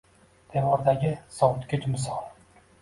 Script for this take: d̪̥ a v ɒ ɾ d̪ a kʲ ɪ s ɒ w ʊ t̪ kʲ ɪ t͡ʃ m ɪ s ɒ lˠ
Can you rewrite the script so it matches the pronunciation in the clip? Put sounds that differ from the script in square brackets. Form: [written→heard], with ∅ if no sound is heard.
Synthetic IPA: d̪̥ [a→e] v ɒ ɾ d̪ a [kʲ→ɡʲ] ɪ s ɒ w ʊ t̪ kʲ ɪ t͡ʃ m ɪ s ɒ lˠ

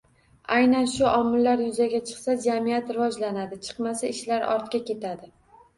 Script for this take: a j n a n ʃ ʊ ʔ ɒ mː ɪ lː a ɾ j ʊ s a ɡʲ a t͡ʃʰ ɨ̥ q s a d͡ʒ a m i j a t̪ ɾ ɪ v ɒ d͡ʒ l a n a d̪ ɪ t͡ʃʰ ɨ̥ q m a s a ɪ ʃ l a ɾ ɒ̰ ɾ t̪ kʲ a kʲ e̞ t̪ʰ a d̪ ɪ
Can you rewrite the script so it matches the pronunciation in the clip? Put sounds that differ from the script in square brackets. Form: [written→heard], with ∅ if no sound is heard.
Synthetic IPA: a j n a n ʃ ʊ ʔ ɒ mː ɪ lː a ɾ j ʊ [s→z] a ɡʲ a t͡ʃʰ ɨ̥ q s a d͡ʒ a m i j a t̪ ɾ ɪ v ɒ d͡ʒ l a n a d̪ ɪ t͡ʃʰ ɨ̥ q m a s a ɪ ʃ l a ɾ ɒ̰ ɾ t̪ kʲ a kʲ e̞ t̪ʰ a d̪ ɪ

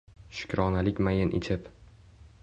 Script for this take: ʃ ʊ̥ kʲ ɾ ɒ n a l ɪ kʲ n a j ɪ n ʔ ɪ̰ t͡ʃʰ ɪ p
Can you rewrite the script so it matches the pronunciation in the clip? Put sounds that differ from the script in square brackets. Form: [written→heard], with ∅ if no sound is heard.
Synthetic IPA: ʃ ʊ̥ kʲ ɾ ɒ n a l ɪ kʲ [n→m] a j ɪ n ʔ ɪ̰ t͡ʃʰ ɪ p

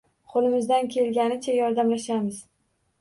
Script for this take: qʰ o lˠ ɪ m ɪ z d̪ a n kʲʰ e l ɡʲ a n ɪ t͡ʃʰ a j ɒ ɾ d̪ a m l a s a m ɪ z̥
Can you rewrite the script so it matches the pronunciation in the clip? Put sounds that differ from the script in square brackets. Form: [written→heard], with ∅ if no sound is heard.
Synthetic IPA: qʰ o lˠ ɪ m ɪ z d̪ a n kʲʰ e l ɡʲ a n ɪ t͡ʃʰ a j ɒ ɾ d̪ a m l a [s→ʃ] a m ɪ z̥

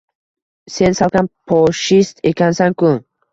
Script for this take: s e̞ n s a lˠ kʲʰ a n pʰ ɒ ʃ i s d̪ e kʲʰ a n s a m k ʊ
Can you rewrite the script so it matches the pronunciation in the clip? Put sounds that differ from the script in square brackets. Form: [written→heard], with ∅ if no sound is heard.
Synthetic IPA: s e̞ n s a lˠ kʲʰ a n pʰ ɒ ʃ i s [d̪→t̪] e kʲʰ a n s a [m→ŋ] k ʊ

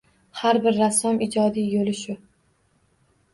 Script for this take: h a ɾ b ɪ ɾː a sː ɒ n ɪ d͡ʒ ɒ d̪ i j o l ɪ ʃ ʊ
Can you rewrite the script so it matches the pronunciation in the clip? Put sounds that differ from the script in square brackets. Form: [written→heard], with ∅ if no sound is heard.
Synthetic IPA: h a ɾ b ɪ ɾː a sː ɒ [n→m] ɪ d͡ʒ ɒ d̪ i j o l ɪ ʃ ʊ

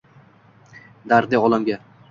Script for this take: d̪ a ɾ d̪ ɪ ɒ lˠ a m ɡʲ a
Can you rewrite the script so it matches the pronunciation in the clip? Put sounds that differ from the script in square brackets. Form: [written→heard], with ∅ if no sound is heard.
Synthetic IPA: d̪ a ɾ d̪ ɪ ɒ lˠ a m ɡʲ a

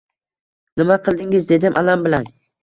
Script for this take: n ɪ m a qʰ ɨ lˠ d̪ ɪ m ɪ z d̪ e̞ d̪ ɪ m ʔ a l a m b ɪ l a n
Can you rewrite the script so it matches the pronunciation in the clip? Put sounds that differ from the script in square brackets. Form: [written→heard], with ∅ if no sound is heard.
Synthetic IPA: n ɪ m a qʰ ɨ lˠ d̪ ɪ [m→ŋ] ɪ z d̪ e̞ d̪ ɪ m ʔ a l a m b ɪ l a n

